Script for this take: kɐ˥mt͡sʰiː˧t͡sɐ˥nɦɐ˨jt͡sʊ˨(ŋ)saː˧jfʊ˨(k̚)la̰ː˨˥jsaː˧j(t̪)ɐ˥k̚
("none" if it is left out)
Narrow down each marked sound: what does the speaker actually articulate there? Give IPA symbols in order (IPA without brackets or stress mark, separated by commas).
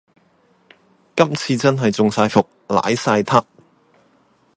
ŋ, k̚, t̪ʰ